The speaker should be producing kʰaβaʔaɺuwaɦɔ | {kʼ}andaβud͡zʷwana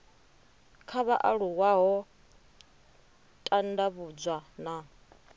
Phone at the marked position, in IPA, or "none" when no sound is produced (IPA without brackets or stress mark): tʼ